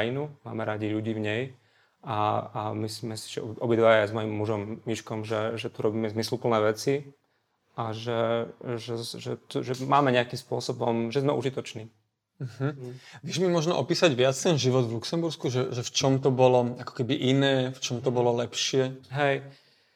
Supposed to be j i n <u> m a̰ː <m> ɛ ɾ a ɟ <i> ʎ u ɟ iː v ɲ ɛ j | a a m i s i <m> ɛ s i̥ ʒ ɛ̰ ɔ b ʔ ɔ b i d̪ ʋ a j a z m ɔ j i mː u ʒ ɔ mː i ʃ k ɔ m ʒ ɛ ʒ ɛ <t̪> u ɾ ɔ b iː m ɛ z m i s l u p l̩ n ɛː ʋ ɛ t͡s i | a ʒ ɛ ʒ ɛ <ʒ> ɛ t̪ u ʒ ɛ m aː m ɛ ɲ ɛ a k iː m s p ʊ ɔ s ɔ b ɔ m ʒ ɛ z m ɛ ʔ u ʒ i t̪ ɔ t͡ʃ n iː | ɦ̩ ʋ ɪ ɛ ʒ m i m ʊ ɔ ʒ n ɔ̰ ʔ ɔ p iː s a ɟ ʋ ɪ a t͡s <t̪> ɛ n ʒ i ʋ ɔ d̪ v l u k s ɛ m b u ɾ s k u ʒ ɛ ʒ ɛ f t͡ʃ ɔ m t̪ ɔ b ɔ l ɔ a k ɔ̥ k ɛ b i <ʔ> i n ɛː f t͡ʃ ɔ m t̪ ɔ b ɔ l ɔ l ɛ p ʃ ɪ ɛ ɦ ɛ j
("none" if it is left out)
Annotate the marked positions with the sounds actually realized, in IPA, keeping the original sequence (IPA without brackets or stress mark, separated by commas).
u, m, i, m, t̪, ʒ, t̪, ʔ